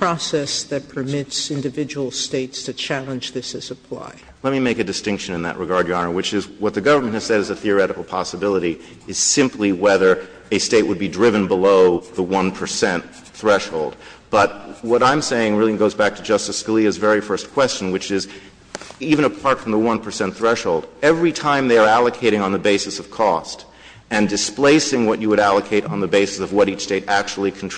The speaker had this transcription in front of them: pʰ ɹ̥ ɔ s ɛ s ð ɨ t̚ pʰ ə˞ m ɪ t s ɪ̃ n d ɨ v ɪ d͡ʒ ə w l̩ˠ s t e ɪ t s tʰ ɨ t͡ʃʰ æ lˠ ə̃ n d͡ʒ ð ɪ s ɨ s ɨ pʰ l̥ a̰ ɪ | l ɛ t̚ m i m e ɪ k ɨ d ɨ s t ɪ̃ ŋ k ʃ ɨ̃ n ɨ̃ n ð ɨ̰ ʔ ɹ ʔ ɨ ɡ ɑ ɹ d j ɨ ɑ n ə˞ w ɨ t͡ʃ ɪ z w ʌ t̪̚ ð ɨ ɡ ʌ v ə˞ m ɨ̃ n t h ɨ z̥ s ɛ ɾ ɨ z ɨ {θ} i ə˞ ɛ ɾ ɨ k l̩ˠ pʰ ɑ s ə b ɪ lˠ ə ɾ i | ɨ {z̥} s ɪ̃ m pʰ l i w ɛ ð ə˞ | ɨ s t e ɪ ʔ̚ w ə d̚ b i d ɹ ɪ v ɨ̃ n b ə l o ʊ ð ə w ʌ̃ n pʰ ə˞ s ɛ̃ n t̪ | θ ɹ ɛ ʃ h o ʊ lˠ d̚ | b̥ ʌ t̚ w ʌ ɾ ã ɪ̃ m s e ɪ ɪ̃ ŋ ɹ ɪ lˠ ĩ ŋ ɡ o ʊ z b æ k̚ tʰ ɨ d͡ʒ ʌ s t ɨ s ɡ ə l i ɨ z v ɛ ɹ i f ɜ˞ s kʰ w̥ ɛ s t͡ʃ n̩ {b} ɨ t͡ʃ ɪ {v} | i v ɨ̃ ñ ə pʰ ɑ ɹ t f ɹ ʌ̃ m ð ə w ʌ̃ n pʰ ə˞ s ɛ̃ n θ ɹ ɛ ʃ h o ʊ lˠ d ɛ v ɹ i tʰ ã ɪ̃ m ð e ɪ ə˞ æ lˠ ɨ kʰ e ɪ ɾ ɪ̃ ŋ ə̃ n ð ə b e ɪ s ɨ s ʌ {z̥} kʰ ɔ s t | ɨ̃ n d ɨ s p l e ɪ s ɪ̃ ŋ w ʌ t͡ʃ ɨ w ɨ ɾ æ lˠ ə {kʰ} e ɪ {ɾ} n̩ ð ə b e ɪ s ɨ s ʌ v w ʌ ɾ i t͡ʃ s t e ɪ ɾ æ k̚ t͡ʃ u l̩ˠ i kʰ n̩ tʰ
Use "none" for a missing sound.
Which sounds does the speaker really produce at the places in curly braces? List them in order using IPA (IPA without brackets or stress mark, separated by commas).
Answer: θ, z̥, w, z, v̥, kʰ, ɾ